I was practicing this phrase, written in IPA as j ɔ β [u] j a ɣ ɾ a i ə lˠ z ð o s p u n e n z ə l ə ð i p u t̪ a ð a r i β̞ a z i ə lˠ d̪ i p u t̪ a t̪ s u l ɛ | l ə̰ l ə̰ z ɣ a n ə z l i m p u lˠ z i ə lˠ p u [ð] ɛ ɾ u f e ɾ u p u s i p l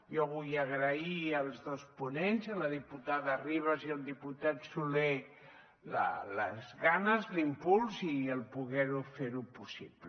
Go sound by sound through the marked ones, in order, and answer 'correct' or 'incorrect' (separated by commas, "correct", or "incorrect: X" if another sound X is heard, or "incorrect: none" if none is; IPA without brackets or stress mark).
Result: correct, incorrect: ɣ